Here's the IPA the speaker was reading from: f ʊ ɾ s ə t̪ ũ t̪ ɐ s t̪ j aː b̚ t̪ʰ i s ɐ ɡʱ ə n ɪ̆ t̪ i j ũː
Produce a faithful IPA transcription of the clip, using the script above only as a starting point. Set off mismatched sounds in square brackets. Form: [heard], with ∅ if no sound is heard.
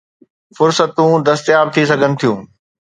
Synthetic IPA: f ʊ ɾ s ə t̪ ũ [d̪] ɐ s t̪ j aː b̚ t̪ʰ i s ɐ ɡʱ ə n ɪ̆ [t̪ʰ] i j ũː